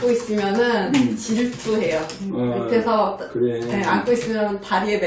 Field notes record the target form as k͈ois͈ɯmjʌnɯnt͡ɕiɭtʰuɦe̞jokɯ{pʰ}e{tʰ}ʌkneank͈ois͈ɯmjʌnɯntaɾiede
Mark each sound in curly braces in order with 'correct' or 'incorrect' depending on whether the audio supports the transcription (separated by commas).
incorrect, incorrect